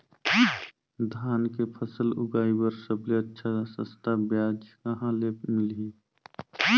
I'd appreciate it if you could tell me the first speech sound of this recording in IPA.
d̪ʱ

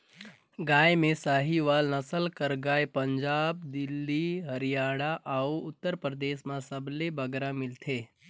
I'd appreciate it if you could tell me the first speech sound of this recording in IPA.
ɡ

